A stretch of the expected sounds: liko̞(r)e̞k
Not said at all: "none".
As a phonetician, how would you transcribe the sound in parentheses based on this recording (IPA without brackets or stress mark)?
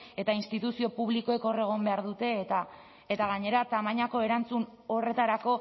none